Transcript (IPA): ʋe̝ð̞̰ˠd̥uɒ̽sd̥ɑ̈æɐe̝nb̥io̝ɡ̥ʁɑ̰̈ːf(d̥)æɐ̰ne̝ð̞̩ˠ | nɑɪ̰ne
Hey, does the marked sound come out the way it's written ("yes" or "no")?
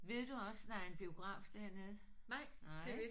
yes